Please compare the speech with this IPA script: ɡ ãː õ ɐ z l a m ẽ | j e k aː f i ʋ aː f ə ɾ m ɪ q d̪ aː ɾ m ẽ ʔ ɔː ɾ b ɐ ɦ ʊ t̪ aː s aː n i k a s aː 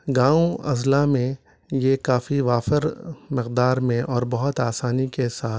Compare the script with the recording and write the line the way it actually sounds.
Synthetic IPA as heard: ɡ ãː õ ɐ z l a m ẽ | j e k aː f i ʋ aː f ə ɾ m ɪ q d̪ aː ɾ m ẽ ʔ ɔː ɾ b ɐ ɦ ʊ t̪ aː s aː n i k e s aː